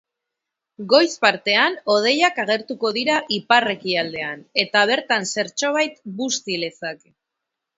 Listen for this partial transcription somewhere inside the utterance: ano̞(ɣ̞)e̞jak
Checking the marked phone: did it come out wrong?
yes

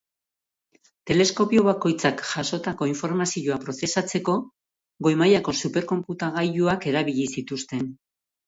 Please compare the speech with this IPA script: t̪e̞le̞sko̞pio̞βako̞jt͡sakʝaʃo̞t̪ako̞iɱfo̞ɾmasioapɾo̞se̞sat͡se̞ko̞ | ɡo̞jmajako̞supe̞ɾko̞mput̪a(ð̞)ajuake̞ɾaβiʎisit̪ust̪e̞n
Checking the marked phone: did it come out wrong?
yes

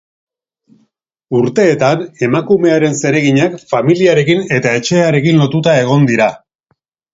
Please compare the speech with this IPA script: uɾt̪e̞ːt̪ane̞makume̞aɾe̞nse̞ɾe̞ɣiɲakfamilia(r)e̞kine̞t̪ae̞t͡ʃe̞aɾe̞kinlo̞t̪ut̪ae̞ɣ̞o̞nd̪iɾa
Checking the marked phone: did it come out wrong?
yes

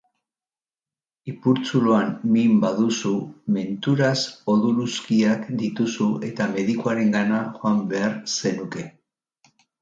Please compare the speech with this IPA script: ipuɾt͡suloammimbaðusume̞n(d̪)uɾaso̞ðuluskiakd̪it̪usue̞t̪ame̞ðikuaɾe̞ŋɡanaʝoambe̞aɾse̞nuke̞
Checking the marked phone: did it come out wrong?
yes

